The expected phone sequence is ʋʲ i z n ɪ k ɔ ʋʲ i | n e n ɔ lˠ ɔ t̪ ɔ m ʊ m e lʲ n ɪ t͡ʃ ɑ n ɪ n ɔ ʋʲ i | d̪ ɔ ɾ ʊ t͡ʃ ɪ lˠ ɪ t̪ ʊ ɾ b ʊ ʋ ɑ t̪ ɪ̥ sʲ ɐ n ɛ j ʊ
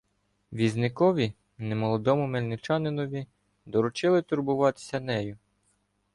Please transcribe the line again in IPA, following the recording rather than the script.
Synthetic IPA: ʋʲ i z n ɪ k ɔ ʋʲ i | n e m ɔ lˠ ɔ d̪ ɔ m ʊ m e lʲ n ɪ t͡ʃ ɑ n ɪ n ɔ ʋʲ i | d̪ ɔ ɾ ʊ t͡ʃ ɪ lˠ ɪ t̪ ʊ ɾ b ʊ ʋ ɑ t̪ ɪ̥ sʲ ɐ n ɛ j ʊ